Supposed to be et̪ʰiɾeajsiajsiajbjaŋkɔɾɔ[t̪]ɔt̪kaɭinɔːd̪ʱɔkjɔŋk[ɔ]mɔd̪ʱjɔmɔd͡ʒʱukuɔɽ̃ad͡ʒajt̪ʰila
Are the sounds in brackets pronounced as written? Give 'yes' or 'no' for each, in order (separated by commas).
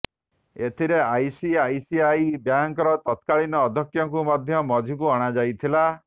yes, no